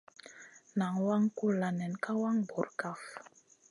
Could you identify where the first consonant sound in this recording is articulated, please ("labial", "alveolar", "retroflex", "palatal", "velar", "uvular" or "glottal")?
alveolar